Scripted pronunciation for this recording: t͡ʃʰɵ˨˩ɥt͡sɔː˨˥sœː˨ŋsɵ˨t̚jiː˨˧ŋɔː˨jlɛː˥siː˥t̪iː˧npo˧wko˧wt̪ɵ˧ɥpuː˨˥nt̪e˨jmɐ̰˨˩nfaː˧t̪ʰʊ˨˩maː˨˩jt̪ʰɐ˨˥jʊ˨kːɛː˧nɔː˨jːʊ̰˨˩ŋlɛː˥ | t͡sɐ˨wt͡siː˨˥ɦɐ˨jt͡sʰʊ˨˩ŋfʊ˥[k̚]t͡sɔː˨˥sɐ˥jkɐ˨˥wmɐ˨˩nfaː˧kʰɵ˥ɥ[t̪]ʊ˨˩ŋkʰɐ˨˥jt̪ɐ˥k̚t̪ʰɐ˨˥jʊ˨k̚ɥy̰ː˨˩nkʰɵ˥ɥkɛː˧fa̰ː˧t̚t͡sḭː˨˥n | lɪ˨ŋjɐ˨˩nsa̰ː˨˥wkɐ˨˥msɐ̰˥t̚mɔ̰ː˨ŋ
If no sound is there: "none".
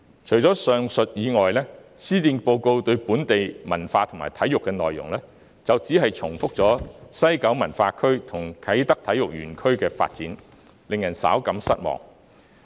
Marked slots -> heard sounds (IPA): k̚, t̪ʰ

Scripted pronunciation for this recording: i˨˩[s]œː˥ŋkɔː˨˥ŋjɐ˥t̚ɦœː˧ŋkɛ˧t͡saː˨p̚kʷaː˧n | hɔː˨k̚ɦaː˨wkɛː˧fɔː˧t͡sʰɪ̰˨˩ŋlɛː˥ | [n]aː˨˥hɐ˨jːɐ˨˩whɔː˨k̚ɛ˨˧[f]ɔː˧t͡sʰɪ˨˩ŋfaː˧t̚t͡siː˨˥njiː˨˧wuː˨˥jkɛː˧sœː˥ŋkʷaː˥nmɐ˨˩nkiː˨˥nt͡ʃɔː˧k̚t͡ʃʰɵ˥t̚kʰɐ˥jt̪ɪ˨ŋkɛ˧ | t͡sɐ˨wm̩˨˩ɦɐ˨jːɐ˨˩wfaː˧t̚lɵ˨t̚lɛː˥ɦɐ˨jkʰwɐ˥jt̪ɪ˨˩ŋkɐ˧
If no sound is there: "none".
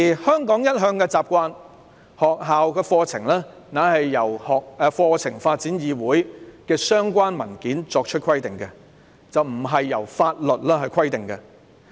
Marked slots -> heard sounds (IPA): h, n, f

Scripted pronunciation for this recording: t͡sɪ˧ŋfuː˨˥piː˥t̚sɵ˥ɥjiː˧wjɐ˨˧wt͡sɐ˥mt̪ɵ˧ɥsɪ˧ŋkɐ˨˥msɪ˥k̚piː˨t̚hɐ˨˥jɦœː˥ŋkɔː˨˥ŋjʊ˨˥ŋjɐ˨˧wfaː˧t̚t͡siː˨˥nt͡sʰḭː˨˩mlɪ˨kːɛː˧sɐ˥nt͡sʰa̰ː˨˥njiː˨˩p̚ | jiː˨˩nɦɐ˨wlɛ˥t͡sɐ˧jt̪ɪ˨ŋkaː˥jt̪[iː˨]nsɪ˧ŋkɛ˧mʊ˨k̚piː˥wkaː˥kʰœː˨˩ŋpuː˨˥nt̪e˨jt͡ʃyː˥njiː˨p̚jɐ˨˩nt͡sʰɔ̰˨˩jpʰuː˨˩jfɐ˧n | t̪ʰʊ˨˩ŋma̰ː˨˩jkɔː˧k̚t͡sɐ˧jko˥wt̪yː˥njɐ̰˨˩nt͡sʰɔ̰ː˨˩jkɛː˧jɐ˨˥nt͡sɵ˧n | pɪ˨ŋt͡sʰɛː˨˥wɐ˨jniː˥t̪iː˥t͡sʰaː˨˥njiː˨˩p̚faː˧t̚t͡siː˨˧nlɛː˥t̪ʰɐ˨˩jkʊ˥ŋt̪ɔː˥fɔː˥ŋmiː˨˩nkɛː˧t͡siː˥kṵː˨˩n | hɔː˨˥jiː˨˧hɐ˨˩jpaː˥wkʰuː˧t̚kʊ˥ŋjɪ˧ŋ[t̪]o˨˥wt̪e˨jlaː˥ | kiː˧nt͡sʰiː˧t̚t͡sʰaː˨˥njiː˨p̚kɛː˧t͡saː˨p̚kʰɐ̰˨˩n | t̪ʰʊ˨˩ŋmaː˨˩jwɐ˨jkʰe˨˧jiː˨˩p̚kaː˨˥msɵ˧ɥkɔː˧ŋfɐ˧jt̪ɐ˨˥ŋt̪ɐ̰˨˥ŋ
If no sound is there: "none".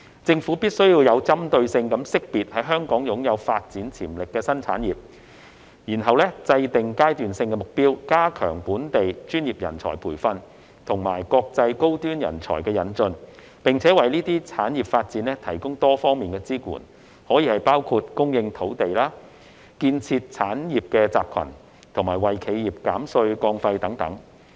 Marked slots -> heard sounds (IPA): yː˨, t̪ʰ

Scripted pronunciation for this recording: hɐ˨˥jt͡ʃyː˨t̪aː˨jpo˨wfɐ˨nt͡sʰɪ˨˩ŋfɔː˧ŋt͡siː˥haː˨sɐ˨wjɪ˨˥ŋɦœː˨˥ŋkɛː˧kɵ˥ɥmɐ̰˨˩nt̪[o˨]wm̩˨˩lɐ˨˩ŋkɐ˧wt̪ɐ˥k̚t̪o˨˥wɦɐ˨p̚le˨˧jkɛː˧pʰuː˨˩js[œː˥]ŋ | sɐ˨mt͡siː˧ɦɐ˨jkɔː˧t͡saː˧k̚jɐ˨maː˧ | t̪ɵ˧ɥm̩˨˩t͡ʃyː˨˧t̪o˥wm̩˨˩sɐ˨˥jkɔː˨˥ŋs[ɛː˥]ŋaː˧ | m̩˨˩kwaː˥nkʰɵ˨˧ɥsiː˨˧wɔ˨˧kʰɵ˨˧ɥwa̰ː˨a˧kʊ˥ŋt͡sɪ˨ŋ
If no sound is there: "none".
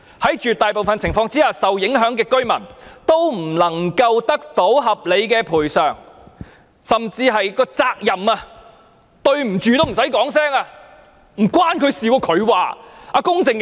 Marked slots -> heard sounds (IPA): o˥, œː˨, ɛː˥

